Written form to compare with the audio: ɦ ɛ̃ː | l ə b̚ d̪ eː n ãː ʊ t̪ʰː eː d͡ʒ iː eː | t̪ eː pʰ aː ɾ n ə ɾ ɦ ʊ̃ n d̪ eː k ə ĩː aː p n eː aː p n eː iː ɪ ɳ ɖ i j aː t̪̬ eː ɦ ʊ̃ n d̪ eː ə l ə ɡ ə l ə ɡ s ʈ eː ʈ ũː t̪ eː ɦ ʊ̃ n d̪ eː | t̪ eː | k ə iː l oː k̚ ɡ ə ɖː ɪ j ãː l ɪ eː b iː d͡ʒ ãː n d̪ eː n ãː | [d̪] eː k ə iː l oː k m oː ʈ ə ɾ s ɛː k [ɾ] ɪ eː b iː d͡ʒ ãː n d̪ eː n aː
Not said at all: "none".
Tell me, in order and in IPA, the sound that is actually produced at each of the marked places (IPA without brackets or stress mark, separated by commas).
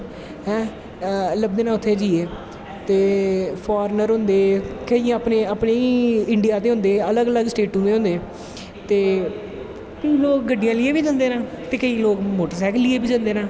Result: t̪, l